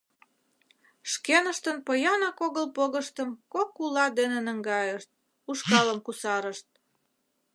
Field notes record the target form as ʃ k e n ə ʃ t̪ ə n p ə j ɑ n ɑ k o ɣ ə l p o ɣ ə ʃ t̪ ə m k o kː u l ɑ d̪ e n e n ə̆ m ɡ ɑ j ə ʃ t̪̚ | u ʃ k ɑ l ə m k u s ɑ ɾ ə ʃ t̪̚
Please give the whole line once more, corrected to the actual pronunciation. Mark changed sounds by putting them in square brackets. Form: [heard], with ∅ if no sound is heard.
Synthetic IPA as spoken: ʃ k e n ə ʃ t̪ ə n p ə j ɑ n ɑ k o ɣ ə l p o ɣ ə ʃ t̪ ə m k o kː u l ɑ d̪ e n e n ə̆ [ŋ] ɡ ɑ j ə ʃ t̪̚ | u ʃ k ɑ l ə m k u s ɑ ɾ ə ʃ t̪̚